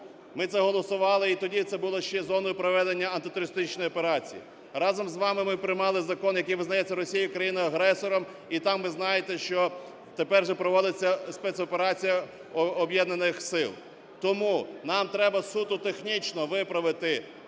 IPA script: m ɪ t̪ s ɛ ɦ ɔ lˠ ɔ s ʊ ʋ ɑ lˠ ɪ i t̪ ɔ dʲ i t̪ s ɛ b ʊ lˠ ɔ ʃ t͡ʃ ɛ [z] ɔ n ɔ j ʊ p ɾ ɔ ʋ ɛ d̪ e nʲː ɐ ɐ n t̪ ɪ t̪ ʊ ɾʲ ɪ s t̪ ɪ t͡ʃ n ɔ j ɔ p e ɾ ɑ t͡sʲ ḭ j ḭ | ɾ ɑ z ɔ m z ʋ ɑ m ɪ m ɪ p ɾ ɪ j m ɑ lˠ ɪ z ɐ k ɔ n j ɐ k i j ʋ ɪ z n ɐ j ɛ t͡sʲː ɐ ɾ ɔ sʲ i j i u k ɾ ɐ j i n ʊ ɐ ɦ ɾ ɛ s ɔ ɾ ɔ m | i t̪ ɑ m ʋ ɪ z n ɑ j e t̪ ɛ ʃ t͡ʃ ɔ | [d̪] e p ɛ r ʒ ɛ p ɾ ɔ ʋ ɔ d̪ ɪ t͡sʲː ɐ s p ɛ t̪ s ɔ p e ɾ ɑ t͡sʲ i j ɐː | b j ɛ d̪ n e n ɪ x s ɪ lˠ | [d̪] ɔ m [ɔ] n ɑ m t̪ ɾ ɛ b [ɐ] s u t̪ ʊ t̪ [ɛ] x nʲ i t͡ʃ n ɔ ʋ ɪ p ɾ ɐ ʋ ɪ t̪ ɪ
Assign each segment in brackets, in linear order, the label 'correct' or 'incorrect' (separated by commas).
correct, incorrect, incorrect, incorrect, correct, incorrect